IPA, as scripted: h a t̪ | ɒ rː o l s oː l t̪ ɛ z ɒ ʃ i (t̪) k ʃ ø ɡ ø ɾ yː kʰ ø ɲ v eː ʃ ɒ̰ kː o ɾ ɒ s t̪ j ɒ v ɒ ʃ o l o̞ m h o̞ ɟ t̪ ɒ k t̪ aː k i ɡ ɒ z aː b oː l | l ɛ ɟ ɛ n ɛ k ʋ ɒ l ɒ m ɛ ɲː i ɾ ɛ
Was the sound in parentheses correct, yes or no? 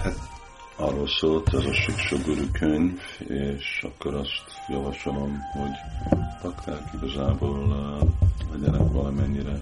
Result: no